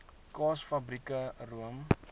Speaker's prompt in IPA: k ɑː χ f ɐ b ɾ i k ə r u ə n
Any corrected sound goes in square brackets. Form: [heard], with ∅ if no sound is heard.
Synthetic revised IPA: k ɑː [s] f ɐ b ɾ i k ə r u ə [m]

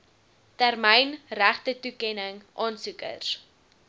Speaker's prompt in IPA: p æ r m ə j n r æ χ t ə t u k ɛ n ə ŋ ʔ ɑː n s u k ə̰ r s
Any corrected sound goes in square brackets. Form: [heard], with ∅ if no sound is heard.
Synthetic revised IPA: [t] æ r m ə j n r æ χ t ə t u k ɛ n ə ŋ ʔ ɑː n s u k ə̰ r s

